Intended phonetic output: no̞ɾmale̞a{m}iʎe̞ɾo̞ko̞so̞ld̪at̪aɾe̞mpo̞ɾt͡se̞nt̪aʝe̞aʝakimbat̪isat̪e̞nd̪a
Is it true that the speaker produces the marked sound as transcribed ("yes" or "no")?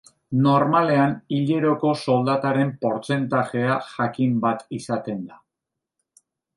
no